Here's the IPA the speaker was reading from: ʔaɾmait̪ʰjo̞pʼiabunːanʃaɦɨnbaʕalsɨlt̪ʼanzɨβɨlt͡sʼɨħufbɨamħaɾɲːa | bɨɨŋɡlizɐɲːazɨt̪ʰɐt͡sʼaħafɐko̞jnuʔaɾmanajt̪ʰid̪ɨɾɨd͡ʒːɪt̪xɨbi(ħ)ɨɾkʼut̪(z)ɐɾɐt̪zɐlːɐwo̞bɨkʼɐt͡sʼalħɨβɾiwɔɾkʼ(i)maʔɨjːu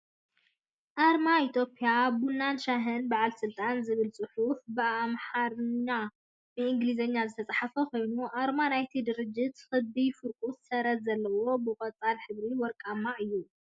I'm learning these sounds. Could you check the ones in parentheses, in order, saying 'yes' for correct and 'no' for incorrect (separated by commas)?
no, no, no